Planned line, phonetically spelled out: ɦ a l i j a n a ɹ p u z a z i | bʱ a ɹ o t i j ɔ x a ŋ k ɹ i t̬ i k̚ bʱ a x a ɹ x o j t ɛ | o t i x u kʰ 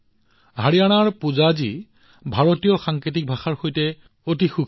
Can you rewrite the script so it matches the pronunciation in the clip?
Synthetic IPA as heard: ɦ a ɹ i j a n a ɹ p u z a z i | bʱ a ɹ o t i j ɔ x a ŋ k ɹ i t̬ i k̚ bʱ a x a ɹ x o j t ɛ | o t i x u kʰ